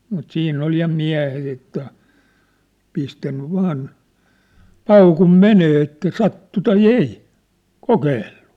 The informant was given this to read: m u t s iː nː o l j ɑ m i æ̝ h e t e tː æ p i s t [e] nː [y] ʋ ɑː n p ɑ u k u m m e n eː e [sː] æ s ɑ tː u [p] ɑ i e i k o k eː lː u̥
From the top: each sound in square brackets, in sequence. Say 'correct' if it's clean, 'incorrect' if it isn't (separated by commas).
incorrect, correct, incorrect, incorrect